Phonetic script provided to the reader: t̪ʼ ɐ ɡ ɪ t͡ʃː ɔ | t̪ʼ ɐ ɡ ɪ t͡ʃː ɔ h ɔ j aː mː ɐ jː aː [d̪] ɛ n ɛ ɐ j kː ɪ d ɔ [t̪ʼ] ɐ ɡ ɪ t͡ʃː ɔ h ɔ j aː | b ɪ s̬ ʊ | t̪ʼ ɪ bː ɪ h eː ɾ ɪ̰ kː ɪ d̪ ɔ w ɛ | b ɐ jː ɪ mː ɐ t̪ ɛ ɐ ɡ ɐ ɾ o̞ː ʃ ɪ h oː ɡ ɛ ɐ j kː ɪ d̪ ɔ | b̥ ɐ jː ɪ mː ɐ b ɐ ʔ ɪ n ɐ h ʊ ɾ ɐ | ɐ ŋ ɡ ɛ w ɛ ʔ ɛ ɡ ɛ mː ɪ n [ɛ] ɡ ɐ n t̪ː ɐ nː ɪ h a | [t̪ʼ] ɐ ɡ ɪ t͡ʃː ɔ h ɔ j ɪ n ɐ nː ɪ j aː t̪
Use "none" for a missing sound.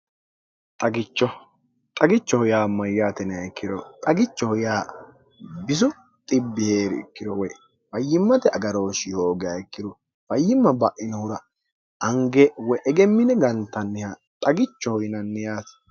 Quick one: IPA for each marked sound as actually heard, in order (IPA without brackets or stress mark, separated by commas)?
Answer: t̪, t̪ʼ, ɛ, t̪ʼ